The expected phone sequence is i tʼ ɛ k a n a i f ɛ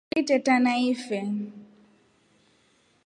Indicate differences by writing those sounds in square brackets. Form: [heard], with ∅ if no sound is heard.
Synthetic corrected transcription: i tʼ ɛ [t] a n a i f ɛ